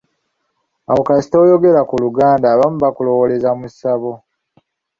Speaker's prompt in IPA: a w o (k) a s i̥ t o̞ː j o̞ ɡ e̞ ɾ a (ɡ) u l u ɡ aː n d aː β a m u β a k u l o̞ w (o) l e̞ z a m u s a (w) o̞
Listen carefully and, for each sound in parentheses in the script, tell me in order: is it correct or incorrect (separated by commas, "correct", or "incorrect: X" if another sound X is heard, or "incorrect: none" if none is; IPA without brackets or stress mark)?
correct, incorrect: k, correct, incorrect: β